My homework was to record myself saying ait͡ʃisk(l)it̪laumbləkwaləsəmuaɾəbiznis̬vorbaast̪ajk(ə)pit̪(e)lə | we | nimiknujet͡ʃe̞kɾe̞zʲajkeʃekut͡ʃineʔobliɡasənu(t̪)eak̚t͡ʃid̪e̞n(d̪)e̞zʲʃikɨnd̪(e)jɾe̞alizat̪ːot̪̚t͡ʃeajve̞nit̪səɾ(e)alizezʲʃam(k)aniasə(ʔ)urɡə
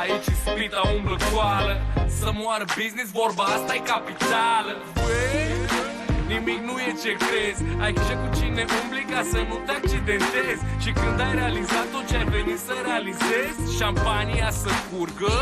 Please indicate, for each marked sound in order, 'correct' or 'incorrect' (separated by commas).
incorrect, incorrect, incorrect, correct, incorrect, incorrect, correct, incorrect, incorrect